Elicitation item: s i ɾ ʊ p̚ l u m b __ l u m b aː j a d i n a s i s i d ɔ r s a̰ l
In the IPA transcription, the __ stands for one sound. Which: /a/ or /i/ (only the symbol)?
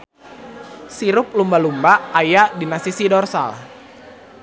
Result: a